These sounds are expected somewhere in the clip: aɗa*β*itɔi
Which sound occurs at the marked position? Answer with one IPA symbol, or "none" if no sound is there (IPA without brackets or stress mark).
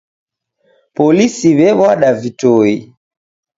v